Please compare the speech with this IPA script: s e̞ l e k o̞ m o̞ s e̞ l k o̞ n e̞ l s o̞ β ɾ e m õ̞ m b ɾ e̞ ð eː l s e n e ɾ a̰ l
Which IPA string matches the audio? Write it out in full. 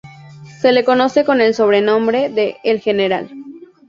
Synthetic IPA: s e̞ l e k o̞ n o̞ s e̞ k o̞ n e̞ l s o̞ β ɾ e n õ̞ m b ɾ e̞ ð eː l x e n e ɾ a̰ l